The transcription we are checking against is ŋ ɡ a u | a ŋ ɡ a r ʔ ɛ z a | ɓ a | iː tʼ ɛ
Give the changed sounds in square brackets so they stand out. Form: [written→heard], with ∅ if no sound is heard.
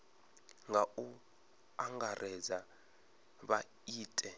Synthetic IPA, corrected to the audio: ŋ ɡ a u | a ŋ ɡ a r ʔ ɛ z a | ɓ a | iː tʼ ɛ